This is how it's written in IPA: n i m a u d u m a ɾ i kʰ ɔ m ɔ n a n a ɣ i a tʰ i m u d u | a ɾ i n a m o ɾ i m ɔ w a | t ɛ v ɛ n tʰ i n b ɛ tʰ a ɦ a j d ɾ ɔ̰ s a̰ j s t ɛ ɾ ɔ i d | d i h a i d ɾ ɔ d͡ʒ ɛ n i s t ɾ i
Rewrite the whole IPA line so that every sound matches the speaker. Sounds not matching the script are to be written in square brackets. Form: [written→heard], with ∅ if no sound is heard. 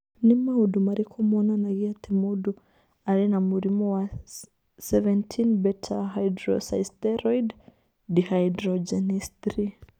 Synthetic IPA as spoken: n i m a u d u m a ɾ i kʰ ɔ m ɔ n a n a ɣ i a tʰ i m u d u | a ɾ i n a m [o→u] ɾ i m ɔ w a | [t→s] ɛ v ɛ n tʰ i n b ɛ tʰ a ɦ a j d ɾ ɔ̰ s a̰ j s t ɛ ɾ ɔ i d | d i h a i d ɾ ɔ d͡ʒ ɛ n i s t ɾ i